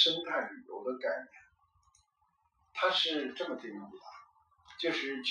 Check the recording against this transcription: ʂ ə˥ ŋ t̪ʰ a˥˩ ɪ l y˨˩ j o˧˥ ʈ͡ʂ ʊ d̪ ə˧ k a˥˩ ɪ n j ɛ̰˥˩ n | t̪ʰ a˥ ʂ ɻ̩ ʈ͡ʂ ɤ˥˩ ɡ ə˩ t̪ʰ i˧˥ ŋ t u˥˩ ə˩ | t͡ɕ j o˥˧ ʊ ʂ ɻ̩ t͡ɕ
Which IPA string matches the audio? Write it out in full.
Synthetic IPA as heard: ʂ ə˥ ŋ t̪ʰ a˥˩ ɪ l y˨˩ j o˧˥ ʊ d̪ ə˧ k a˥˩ ɪ n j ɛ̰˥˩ n | t̪ʰ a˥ ʂ ɻ̩ ʈ͡ʂ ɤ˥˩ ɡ ə˩ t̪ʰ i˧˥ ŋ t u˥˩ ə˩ | t͡ɕ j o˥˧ ʊ ʂ ɻ̩ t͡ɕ